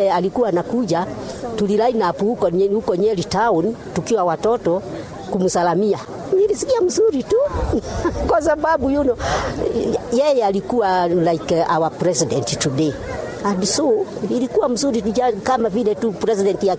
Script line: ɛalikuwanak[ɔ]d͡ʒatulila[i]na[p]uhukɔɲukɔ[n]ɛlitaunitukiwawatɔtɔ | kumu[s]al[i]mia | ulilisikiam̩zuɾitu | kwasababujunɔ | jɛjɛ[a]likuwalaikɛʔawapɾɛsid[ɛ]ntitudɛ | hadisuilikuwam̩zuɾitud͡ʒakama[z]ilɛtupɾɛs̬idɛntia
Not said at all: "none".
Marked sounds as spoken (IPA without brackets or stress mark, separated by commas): u, i, p, ɲ, s, a, a, ɛ, v